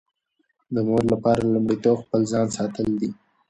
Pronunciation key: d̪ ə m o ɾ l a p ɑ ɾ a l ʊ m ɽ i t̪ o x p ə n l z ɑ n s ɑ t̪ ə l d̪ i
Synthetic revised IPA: d̪ ə m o ɾ l a p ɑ ɾ a l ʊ m ɽ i t̪ o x p ə l z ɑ n s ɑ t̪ ə l d̪ i